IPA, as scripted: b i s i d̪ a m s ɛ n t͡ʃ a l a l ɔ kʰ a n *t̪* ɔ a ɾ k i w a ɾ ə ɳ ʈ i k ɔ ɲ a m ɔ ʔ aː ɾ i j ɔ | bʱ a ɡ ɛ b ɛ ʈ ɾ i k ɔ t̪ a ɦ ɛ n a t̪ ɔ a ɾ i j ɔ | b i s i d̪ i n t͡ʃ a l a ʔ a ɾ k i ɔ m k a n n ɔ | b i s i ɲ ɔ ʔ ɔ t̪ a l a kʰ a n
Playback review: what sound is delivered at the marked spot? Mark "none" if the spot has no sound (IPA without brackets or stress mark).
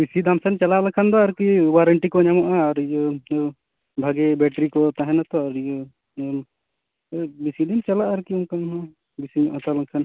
d̪